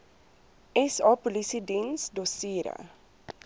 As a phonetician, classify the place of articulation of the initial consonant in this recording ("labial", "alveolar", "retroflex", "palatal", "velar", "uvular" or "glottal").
alveolar